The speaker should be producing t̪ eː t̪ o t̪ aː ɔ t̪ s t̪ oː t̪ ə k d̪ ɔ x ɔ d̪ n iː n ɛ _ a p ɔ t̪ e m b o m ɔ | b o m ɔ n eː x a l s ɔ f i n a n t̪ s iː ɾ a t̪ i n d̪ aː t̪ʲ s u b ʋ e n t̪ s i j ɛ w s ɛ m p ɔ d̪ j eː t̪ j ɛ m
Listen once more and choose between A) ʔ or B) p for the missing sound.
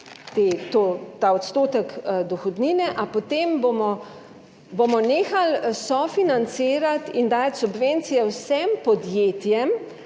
A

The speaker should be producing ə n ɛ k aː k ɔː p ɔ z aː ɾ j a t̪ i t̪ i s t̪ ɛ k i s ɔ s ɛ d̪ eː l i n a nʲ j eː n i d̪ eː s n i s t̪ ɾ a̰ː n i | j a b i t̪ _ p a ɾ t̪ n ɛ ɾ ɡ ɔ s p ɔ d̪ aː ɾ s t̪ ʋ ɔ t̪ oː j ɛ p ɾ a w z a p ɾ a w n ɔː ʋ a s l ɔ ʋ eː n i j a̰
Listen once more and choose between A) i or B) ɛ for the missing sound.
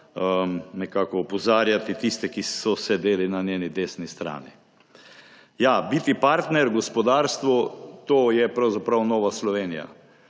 A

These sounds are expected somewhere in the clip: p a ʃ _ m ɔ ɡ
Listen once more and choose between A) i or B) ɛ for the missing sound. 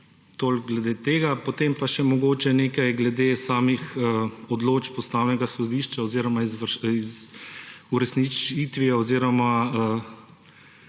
B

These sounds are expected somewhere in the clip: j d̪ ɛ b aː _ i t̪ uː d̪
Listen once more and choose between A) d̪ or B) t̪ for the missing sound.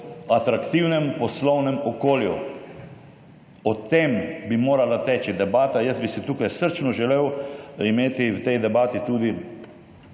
B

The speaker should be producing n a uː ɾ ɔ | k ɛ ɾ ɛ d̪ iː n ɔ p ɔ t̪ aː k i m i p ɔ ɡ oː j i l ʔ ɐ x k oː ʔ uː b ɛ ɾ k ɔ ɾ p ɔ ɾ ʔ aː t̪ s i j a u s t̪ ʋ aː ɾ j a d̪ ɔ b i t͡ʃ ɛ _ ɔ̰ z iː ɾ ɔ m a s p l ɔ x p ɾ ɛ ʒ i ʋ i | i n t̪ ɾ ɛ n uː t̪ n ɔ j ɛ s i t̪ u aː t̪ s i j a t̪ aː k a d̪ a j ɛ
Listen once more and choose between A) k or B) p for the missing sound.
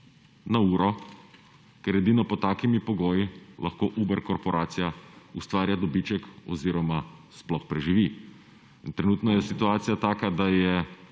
A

